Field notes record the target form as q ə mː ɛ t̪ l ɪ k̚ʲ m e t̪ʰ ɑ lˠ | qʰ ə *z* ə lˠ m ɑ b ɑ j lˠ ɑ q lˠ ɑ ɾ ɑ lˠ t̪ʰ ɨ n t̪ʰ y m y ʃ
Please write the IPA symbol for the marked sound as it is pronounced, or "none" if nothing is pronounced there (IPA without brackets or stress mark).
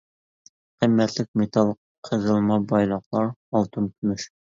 z